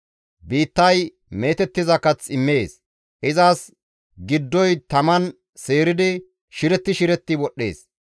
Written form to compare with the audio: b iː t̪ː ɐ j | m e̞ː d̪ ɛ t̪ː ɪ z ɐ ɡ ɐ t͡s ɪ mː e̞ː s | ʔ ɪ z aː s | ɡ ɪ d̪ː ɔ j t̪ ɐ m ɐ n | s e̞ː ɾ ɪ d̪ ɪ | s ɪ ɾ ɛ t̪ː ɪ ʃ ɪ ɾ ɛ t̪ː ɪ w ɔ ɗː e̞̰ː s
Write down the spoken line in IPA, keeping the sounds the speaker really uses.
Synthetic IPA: b iː t̪ː ɐ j | m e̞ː t̪ ɛ t̪ː ɪ z ɐ k ɐ t͡s ɪ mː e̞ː s | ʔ ɪ z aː s | ɡ ɪ d̪ː ɔ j t̪ ɐ m ɐ n | s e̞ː ɾ ɪ d̪ ɪ | ʃ ɪ ɾ ɛ t̪ː ɪ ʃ ɪ ɾ ɛ t̪ː ɪ w ɔ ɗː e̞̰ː s